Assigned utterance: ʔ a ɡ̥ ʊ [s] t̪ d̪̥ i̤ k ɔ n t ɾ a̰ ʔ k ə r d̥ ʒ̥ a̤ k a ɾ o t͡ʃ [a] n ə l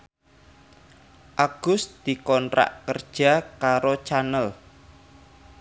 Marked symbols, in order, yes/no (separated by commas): yes, yes